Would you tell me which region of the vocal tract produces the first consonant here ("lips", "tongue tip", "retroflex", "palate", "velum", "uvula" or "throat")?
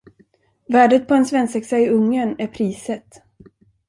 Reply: lips